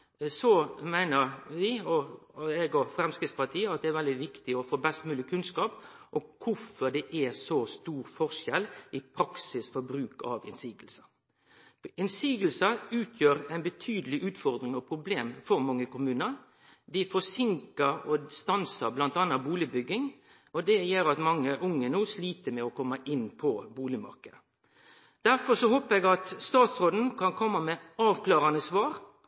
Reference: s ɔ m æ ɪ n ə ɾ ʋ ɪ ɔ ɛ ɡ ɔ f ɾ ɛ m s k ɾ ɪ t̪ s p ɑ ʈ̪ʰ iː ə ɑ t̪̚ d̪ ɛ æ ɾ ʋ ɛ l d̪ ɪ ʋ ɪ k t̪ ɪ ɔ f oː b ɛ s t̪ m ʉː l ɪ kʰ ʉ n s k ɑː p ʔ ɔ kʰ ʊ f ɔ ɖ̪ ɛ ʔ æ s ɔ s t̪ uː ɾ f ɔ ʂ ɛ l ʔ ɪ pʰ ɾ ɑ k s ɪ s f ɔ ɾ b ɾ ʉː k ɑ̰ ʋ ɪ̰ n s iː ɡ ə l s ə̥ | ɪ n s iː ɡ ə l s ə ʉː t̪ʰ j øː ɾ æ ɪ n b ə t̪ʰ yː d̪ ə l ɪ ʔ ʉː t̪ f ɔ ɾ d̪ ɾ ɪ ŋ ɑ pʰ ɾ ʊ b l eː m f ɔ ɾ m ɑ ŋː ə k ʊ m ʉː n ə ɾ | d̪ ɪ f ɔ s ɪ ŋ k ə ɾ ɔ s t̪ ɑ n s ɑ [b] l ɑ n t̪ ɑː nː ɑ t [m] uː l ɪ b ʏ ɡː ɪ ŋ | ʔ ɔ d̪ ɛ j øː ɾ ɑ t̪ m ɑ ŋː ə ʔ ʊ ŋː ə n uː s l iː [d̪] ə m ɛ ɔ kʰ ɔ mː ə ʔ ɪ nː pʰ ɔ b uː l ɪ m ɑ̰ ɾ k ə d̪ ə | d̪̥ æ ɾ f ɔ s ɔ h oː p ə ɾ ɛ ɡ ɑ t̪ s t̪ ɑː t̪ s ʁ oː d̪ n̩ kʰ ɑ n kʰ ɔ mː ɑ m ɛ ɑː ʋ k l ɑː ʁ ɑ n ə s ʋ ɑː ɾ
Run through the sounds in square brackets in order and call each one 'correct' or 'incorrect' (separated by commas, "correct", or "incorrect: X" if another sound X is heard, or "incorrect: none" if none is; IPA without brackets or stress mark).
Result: correct, incorrect: b, incorrect: t̪